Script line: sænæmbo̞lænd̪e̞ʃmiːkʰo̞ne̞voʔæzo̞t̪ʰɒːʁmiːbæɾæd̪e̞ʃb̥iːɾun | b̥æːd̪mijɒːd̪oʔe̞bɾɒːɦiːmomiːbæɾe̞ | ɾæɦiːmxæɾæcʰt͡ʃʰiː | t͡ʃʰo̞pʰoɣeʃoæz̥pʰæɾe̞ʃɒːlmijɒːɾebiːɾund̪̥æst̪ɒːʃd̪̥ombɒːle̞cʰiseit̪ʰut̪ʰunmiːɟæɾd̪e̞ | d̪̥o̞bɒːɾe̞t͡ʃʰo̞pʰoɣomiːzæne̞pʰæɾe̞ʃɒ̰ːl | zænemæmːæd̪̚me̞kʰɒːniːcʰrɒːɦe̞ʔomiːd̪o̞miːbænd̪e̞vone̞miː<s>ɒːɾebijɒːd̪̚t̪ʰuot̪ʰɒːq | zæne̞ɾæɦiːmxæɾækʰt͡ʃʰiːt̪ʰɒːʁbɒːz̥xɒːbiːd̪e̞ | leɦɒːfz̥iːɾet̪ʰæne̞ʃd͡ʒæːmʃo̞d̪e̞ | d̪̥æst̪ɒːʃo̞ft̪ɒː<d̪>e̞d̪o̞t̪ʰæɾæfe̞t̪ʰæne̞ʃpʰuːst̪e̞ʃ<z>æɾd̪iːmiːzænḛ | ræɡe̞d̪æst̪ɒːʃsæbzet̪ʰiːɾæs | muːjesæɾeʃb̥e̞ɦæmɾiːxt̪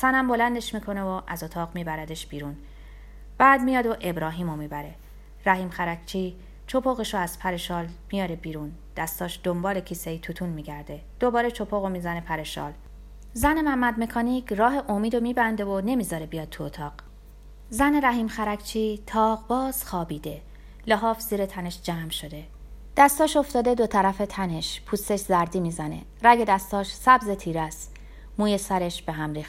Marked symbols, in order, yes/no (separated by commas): no, yes, yes